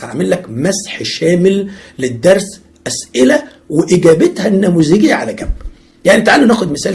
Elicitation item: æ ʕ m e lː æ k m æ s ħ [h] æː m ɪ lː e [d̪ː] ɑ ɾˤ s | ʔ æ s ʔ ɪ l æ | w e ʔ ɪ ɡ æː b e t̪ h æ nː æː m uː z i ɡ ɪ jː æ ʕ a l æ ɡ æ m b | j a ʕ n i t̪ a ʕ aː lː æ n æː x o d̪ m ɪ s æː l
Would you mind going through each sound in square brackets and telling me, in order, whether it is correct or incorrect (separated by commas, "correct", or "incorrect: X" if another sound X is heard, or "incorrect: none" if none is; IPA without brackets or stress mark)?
incorrect: ʃ, correct